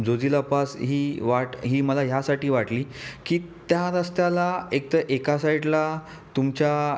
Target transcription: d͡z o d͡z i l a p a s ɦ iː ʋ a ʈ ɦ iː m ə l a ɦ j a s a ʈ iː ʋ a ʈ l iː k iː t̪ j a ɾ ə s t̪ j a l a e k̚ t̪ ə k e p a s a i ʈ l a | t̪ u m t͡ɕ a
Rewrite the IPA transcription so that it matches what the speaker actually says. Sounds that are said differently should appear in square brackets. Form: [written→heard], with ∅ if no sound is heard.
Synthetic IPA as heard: d͡z o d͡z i l a p a s ɦ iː ʋ a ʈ ɦ iː m ə l a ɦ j a s a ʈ iː ʋ a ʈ l iː k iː t̪ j a ɾ ə s t̪ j a l a e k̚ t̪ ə [k→ʔ] e [p→k] a s a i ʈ l a | t̪ u m t͡ɕ a